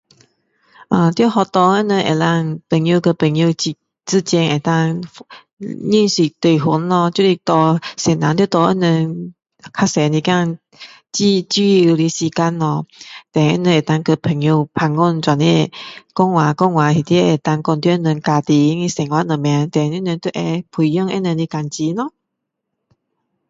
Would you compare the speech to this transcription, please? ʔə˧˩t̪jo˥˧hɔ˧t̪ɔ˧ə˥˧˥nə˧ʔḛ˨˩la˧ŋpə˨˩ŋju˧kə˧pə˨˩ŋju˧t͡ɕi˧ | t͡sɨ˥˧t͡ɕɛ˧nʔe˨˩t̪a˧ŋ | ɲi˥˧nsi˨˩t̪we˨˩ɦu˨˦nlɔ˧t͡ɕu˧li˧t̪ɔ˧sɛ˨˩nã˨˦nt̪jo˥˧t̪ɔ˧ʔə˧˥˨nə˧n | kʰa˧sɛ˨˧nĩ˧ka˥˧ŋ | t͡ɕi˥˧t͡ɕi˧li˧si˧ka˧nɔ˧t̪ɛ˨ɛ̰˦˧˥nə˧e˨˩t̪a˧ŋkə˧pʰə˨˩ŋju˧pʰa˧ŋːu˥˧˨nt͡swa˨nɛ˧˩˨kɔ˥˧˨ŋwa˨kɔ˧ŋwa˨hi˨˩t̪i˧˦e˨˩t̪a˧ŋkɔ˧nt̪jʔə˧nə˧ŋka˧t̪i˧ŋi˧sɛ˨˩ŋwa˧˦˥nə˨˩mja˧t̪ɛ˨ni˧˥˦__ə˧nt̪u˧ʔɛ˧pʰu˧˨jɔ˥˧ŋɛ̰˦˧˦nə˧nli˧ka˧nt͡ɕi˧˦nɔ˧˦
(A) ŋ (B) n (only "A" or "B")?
B